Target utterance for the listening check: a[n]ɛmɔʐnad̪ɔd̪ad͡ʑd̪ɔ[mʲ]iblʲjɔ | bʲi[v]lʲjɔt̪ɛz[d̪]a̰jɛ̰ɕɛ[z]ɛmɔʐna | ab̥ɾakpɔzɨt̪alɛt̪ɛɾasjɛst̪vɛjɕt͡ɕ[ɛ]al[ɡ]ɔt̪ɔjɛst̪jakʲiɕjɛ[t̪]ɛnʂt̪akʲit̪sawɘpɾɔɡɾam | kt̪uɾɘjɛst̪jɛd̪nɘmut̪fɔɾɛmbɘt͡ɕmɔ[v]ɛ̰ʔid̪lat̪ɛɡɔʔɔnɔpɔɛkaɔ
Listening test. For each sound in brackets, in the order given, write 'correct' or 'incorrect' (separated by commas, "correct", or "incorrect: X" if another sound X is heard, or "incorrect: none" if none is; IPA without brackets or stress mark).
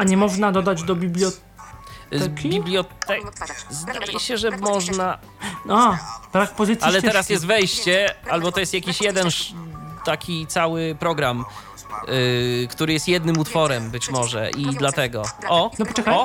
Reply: incorrect: ɲ, incorrect: bʲ, incorrect: b, correct, incorrect: ʐ, correct, incorrect: b, incorrect: d̪, incorrect: ʐ